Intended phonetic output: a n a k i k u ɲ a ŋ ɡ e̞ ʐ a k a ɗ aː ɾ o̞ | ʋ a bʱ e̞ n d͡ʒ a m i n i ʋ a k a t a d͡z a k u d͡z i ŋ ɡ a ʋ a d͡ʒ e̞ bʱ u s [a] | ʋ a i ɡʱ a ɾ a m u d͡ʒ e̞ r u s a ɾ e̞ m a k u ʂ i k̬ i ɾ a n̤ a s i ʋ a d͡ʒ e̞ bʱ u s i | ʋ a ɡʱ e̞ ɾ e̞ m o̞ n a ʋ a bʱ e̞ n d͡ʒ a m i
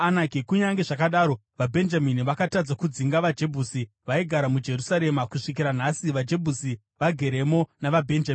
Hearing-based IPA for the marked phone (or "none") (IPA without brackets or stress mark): i